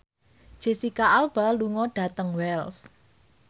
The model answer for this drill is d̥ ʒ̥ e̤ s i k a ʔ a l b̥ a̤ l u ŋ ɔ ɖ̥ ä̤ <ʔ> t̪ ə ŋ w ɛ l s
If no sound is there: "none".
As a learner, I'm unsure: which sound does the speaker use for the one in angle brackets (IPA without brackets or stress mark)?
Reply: none